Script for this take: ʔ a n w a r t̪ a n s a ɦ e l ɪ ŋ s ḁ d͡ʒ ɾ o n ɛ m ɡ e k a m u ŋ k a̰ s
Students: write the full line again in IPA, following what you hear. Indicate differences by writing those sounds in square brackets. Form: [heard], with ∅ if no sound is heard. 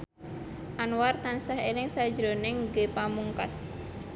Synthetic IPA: ʔ a n w a r t̪ a n s a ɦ e l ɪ ŋ s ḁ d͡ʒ ɾ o n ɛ [ŋ] ɡ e [p] a m u ŋ k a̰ s